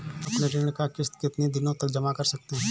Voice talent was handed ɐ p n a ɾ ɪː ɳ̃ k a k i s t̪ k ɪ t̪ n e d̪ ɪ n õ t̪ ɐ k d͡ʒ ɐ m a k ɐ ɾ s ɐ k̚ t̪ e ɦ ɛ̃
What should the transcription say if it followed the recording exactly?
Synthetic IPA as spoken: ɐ p n e ɾ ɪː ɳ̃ k a k ɪ s t̪ k ɪ t̪ n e d̪ ɪ n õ t̪ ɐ k d͡ʒ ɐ m a k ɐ ɾ s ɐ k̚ t̪ e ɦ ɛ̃